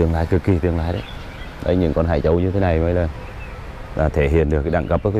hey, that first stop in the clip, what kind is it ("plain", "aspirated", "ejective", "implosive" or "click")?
plain